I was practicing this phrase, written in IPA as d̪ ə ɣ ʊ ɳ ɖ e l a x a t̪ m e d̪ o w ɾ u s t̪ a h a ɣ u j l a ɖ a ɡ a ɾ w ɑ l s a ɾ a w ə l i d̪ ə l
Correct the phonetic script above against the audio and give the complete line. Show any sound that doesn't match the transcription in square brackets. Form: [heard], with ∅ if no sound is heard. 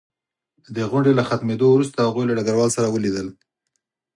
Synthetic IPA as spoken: d̪ ə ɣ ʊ ɳ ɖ e l a x a t̪ m e d̪ o w ɾ u s t̪ a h a ɣ u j l a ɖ a ɡ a ɾ w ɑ l s a ɾ a w ə l i d̪ ə l